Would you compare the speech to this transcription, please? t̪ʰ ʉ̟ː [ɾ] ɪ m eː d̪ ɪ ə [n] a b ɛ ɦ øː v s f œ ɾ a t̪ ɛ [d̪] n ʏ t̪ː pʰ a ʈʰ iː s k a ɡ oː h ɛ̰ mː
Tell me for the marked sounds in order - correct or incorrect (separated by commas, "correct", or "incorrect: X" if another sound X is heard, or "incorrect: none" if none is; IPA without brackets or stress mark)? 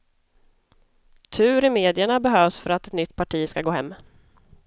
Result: correct, incorrect: ɳ, incorrect: t̪